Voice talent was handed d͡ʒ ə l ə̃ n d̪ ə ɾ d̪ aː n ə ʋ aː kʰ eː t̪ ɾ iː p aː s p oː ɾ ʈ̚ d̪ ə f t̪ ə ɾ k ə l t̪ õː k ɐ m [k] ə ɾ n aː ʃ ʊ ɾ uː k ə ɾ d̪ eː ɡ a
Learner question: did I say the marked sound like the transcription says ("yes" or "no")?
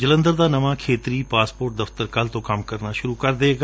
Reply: yes